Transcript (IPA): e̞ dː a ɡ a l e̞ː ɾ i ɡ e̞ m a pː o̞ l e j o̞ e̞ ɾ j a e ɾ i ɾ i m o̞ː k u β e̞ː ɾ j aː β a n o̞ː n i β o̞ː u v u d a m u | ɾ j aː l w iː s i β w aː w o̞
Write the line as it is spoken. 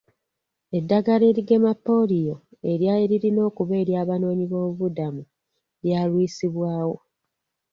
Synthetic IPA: e̞ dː a ɡ a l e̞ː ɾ i ɡ e̞ m a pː o̞ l i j o̞ e̞ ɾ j a e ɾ i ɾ i n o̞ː k u β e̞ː ɾ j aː β a n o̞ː ɲ i β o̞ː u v u d a m u | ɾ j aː l w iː s i β w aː w o̞